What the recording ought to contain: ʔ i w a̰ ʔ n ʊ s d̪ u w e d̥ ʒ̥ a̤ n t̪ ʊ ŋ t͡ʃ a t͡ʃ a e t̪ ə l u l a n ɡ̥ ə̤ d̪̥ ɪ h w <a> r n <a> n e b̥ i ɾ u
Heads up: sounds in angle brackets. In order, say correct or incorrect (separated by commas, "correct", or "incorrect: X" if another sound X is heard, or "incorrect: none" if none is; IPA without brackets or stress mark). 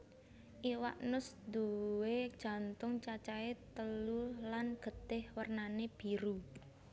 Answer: incorrect: ə, correct